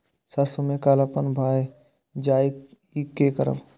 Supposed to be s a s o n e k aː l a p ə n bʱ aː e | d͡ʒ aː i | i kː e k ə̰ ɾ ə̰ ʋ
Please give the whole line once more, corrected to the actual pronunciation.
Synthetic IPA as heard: s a s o m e k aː l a p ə n bʱ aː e | d͡ʒ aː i | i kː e k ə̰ ɾ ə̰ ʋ